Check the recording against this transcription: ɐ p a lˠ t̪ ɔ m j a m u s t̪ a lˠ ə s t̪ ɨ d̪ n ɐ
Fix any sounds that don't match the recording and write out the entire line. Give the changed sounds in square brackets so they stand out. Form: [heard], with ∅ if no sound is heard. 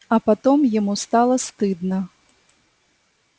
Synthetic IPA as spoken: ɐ p a [∅] t̪ ɔ m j a m u s t̪ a lˠ [ɐ] s t̪ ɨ d̪ n ɐ